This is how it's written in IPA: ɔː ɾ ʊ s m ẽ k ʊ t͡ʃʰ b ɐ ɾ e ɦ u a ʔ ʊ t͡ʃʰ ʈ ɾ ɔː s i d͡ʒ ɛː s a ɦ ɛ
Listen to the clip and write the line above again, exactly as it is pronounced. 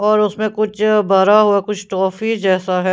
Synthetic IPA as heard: ɔː ɾ ʊ s m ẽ k ʊ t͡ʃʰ b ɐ ɾ a ɦ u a k ʊ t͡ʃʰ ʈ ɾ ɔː f i d͡ʒ ɛː s a ɦ ɛ